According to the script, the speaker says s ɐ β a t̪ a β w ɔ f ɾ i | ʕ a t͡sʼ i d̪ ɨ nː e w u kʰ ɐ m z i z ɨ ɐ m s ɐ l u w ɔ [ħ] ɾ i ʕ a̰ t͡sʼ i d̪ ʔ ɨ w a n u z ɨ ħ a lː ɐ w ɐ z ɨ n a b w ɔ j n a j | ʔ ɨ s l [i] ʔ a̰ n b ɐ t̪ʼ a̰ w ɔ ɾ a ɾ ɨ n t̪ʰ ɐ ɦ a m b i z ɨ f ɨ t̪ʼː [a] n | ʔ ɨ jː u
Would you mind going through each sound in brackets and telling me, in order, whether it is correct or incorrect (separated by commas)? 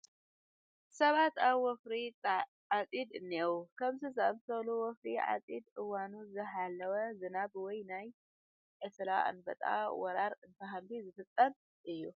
incorrect, incorrect, incorrect